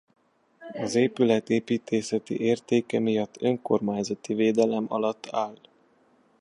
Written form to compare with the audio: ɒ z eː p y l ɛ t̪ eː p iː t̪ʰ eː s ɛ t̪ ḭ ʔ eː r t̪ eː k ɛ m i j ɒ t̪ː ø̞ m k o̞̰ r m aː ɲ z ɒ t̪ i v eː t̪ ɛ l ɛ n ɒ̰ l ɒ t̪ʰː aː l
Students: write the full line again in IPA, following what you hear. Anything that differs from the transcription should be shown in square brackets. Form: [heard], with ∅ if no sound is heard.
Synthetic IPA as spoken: ɒ z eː p y l ɛ t̪ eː p iː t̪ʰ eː s ɛ t̪ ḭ ʔ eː r t̪ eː k ɛ m i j ɒ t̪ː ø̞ [ŋ] k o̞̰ r m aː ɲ z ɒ t̪ i v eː [d̪] ɛ l ɛ [m] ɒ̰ l ɒ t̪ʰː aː l